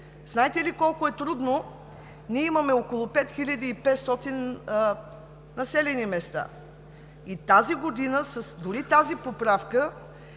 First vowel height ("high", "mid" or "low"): low